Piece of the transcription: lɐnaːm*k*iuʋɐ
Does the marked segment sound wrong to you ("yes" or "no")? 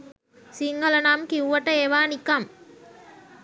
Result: no